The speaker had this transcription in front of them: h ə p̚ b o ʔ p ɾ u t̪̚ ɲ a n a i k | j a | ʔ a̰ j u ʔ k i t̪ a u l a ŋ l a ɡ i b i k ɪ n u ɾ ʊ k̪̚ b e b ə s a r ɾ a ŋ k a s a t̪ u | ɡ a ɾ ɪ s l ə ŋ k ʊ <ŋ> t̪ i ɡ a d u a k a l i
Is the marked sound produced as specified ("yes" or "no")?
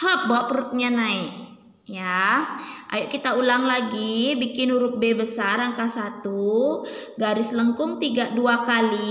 yes